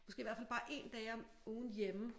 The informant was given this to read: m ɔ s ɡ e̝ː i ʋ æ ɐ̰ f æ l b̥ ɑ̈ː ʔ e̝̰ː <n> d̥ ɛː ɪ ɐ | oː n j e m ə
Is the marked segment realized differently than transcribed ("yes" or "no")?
no